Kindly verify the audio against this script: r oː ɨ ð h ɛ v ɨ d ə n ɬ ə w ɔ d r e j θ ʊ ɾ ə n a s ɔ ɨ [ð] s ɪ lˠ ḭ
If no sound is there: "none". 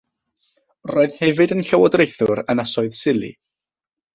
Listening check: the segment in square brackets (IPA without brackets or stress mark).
ð